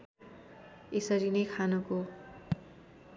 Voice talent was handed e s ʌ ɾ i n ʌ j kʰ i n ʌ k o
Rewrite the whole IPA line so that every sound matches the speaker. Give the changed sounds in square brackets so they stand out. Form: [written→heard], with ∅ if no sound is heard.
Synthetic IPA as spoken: e s ʌ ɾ i n ʌ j kʰ [i→a] n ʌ k o